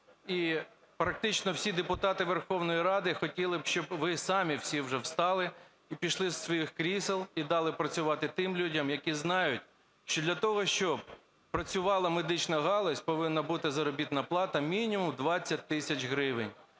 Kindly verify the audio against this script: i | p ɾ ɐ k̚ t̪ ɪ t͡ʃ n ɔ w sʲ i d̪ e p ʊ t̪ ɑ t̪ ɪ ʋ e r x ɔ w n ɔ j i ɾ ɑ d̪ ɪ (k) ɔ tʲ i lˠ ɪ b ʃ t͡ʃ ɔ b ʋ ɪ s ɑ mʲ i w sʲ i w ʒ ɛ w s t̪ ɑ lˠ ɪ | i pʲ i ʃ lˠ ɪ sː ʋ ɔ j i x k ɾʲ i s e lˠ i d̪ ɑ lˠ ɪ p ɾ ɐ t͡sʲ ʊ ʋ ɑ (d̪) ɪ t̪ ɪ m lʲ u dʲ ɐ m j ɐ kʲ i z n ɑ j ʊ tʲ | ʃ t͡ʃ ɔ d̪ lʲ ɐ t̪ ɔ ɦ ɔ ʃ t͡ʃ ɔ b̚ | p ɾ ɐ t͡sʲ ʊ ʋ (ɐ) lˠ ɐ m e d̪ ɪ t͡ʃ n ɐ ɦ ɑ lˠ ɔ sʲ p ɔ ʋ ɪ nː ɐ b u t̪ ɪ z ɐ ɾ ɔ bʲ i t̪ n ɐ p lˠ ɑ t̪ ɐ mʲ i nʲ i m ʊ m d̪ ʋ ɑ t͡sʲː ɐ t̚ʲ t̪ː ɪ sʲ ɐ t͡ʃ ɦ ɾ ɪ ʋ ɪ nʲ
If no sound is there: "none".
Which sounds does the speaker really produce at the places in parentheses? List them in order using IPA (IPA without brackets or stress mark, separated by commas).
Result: x, t̪, ɑ